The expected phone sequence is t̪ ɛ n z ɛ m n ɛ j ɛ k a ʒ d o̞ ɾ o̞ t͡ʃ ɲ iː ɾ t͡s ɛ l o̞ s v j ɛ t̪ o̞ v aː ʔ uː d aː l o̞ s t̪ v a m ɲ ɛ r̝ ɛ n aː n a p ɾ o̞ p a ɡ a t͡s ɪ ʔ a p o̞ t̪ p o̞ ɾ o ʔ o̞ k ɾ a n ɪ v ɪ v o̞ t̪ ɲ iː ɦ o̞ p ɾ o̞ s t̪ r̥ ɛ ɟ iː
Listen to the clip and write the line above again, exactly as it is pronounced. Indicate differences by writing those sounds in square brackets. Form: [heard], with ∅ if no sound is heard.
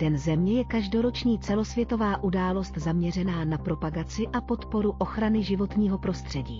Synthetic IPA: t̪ ɛ n z ɛ m [ɲ] ɛ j ɛ k a ʒ d o̞ ɾ o̞ t͡ʃ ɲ iː [∅] t͡s ɛ l o̞ s v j ɛ t̪ o̞ v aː ʔ [u] d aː l o̞ s t̪ [z] a m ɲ ɛ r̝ ɛ n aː n a p ɾ o̞ p a ɡ a t͡s ɪ ʔ a p o̞ t̪ p o̞ ɾ [u] ʔ o̞ [x] ɾ a n ɪ [ʒ] ɪ v o̞ t̪ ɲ iː ɦ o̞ p ɾ o̞ s t̪ r̥ ɛ ɟ iː